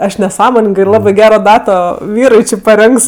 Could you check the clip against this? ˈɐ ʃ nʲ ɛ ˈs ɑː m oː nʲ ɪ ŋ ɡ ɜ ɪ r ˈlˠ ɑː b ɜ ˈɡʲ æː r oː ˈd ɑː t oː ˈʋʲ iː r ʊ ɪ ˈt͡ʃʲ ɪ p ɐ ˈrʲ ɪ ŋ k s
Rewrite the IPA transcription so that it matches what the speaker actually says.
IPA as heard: ˈɐ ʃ nʲ ɛ ˈs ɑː m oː nʲ ɪ ŋ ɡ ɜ ɪ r ˈlˠ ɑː b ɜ ˈɡʲ æː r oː ˈd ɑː t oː ˈʋʲ iː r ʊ ɪ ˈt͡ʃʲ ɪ p ɐ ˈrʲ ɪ ŋ k s